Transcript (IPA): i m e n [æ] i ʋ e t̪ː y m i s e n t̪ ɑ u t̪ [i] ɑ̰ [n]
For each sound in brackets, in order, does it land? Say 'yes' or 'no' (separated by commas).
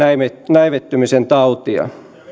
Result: yes, yes, no